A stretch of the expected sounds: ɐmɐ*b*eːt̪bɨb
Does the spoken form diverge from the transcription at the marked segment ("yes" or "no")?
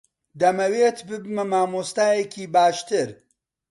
yes